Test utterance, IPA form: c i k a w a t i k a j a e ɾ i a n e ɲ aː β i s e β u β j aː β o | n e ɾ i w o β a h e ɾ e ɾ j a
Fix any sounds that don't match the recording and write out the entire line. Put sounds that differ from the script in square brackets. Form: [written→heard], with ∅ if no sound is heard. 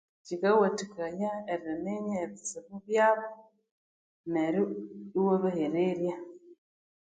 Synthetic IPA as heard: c i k a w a t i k a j a e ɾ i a n e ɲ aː β i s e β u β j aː β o | n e ɾ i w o β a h e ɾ e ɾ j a

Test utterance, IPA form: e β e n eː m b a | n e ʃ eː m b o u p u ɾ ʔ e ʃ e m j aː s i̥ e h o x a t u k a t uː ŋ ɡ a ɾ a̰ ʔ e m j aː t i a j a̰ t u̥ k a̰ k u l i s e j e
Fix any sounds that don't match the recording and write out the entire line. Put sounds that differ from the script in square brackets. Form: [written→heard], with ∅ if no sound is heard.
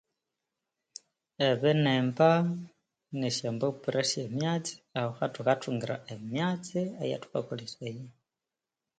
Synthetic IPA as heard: e β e n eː m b a | n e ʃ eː m b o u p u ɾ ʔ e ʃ e m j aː [s→t͡s] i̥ [e→a] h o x a t u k a t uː ŋ ɡ [a→i] ɾ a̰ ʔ e m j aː [t→t͡s] i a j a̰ t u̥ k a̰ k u l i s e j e

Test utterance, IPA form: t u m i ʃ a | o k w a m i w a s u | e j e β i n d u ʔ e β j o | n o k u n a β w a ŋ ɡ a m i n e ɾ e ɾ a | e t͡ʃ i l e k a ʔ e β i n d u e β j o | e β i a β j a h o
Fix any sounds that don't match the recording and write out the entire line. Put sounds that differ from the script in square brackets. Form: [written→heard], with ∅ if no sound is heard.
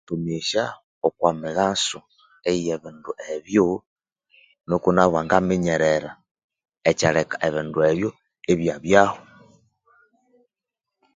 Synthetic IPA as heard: t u m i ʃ a | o k w a m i [w→ɣ] a s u | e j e β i n d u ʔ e β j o | n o k u n a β w a ŋ ɡ a m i [n→ɲ] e ɾ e ɾ a | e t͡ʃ [i→a] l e k a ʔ e β i n d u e β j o | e β [i→j] a β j a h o

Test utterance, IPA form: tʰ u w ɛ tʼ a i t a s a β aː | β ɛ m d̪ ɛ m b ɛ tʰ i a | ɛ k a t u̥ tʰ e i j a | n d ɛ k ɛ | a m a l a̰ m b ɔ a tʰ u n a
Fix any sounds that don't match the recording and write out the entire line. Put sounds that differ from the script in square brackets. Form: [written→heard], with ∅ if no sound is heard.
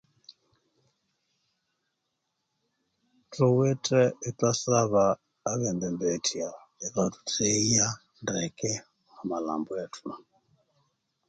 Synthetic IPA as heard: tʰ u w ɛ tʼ [a→ɛ] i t a s a β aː | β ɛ [m→n] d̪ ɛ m b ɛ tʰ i a | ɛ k a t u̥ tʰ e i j a | n d ɛ k ɛ | a m a l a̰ m b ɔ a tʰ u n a

